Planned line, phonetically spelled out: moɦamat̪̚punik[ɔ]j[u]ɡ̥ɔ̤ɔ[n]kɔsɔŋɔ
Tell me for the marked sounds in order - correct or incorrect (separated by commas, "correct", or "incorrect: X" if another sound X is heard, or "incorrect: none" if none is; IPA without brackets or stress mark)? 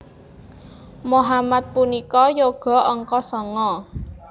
correct, incorrect: o, incorrect: ŋ